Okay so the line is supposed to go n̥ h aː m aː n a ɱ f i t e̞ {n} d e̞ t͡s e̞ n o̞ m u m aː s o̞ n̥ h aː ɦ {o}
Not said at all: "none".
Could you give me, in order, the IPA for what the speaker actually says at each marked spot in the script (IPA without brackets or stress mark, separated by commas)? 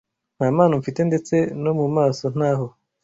n, o